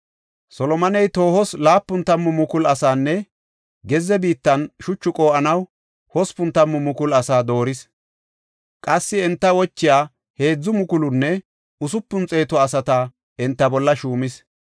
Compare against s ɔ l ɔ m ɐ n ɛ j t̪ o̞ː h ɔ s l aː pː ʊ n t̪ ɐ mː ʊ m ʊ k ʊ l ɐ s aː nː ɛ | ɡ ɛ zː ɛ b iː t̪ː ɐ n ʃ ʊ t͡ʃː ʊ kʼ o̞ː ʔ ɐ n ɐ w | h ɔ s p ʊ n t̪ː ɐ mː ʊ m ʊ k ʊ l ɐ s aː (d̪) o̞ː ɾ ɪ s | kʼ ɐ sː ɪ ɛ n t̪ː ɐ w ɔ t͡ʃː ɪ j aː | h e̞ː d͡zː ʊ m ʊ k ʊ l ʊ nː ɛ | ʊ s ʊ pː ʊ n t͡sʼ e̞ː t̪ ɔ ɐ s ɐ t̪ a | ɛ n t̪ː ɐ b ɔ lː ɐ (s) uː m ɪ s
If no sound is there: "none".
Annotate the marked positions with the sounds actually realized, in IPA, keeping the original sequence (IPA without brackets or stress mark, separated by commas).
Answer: d̪, ʃ